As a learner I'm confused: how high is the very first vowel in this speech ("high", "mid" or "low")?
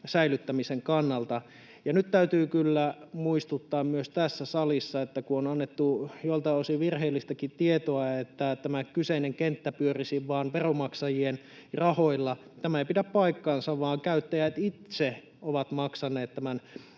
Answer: low